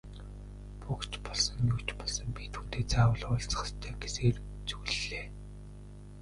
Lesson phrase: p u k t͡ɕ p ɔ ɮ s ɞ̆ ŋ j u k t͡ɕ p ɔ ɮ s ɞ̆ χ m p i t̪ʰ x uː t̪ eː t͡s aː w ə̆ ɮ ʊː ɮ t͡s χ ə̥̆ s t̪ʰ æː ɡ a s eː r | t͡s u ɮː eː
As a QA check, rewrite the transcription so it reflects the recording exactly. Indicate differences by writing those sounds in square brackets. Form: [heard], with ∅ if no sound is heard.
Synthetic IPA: p u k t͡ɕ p ɔ ɮ s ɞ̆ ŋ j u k t͡ɕ p ɔ ɮ s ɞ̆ [∅] m p i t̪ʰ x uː t̪ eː t͡s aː w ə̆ ɮ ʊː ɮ t͡s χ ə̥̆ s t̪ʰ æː ɡ [e] s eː r | t͡s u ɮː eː

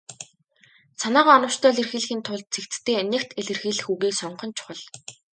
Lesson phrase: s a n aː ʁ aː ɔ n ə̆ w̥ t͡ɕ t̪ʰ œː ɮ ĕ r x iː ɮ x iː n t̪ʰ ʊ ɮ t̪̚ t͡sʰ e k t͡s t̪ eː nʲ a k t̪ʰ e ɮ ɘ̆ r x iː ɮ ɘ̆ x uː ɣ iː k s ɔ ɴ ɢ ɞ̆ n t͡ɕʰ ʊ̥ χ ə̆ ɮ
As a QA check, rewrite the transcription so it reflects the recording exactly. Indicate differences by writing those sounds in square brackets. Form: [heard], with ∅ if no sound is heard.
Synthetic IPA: s a n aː ʁ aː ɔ n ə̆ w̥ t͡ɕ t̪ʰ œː ɮ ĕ r x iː ɮ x iː n t̪ʰ ʊ ɮ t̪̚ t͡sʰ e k t͡s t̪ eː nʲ [e] k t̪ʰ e ɮ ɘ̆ r x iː ɮ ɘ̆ x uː ɣ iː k s ɔ ɴ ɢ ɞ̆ n t͡ɕʰ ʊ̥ χ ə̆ ɮ

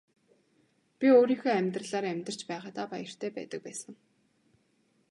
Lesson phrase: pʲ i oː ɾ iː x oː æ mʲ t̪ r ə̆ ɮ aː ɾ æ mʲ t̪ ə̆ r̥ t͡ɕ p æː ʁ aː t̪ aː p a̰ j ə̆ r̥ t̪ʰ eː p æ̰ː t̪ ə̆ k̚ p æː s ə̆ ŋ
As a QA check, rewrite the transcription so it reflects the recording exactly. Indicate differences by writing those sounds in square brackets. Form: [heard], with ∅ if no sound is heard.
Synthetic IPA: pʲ i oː ɾ iː x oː æ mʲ t̪ r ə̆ ɮ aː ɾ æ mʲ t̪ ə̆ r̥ t͡ɕ p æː ʁ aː t̪ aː p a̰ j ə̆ r̥ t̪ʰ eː p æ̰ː t̪ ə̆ k̚ p æː s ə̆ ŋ

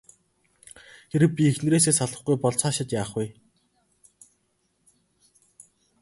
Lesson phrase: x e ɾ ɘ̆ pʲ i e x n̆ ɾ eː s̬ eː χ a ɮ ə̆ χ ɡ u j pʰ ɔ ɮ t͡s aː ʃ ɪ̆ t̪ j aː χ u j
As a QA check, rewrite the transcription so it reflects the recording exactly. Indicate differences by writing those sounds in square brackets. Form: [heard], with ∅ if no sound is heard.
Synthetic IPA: x e ɾ ɘ̆ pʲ i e x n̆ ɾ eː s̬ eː [s] a ɮ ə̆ χ ɡ u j [p] ɔ ɮ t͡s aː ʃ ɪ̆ t̪ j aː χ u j

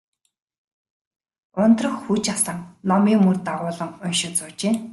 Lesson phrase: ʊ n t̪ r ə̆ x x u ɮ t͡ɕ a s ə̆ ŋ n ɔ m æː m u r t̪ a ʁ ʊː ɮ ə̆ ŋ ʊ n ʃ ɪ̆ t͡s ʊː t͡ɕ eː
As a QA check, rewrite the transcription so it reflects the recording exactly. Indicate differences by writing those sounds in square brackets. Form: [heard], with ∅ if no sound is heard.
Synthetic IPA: ʊ n t̪ r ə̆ x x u [∅] t͡ɕ a s ə̆ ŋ n ɔ m [iː] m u r t̪ a ʁ ʊː ɮ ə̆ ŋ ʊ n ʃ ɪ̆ t͡s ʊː t͡ɕ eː

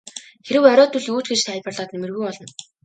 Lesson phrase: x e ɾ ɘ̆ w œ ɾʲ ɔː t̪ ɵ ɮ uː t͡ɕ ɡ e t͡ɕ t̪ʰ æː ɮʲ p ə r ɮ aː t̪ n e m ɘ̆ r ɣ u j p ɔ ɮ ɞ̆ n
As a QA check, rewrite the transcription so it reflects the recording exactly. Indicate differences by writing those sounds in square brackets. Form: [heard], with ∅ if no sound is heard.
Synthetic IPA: x e ɾ ɘ̆ w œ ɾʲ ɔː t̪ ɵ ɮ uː t͡ɕ ɡ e t͡ɕ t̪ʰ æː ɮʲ p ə r ɮ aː t̪ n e m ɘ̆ r ɣ u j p ɔ ɮ ɞ̆ n

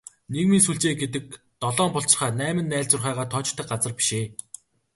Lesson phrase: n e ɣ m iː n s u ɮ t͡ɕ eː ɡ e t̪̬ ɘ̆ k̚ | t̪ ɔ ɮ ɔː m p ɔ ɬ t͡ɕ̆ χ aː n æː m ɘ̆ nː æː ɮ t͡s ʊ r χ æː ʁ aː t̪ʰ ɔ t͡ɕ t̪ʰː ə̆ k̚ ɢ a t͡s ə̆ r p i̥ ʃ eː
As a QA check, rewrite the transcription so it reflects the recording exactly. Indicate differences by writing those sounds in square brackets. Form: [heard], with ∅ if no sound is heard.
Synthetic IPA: n e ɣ m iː n s u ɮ t͡ɕ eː ɡ e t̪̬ ɘ̆ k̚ | t̪ ɔ ɮ ɔː m p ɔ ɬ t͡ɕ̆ χ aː n æː m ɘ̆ nː æː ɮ t͡s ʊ r χ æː ʁ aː t̪ʰ ɔ t͡ɕ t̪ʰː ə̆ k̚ ɢ a t͡s ə̆ r p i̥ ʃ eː

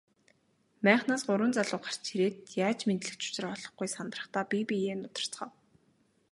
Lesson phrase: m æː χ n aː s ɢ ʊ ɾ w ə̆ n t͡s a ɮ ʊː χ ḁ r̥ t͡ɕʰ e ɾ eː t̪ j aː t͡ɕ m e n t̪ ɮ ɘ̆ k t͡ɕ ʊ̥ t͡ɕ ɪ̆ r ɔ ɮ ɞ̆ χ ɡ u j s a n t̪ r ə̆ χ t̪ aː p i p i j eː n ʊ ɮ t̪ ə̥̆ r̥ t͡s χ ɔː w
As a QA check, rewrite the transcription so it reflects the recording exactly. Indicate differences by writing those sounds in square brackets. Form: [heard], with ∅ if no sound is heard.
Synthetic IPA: m æː χ n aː s ɢ ʊ ɾ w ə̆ n t͡s a ɮ ʊː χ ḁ r̥ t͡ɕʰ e ɾ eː t̪ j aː t͡ɕ m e n t̪ ɮ ɘ̆ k t͡ɕ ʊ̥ t͡ɕ ɪ̆ r ɔ ɮ ɞ̆ χ ɡ u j s a n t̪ r ə̆ χ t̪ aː p i p i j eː n ʊ [∅] t̪ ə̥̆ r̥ t͡s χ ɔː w

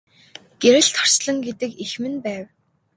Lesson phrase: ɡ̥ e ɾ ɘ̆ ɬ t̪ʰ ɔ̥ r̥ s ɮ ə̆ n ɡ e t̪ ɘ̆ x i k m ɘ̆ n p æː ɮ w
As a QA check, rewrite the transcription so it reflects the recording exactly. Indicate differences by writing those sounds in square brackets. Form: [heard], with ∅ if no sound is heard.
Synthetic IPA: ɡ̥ e ɾ ɘ̆ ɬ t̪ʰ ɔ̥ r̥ s ɮ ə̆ [ŋ] ɡ e t̪ ɘ̆ [k] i [x] m ɘ̆ n p æː [∅] w

